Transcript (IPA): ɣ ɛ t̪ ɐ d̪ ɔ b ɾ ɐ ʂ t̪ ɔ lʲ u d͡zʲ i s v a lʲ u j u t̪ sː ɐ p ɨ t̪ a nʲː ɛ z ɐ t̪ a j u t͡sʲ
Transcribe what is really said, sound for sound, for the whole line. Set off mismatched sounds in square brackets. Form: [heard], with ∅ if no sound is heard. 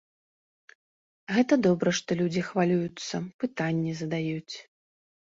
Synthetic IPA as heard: ɣ ɛ t̪ ɐ d̪ ɔ b ɾ ɐ ʂ t̪ ɔ lʲ u d͡zʲ i [x] v a lʲ u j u t̪ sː ɐ p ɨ t̪ a nʲː ɛ z ɐ [d̪] a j u t͡sʲ